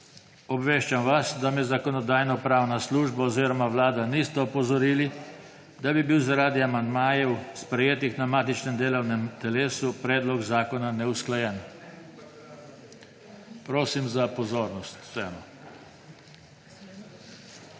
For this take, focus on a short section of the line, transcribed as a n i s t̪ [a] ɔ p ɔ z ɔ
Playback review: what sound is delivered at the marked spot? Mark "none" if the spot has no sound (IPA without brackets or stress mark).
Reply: ɛ